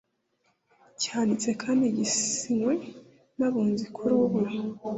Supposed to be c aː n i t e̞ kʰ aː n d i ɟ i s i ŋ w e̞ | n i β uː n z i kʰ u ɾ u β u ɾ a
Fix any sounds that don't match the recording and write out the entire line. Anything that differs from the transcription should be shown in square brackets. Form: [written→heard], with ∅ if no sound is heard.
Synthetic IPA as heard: c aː n i [t→t͡s] e̞ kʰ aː n d i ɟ i s i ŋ w e̞ | n [i→a] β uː n z i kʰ u ɾ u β u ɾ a